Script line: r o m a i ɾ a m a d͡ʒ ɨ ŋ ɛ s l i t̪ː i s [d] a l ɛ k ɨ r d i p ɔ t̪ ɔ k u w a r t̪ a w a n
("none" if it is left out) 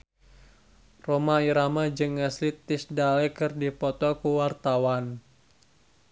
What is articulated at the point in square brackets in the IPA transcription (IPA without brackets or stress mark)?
d